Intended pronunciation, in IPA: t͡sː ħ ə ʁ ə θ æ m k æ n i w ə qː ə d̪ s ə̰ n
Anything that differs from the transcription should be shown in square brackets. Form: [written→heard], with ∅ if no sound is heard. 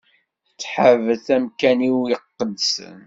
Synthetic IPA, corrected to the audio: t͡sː ħ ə [ʁ→v] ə θ æ m k æ n i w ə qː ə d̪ s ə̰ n